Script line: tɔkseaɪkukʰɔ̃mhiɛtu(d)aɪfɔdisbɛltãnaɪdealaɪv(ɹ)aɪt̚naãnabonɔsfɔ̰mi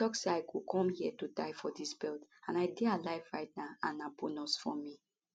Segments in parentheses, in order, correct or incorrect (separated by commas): correct, correct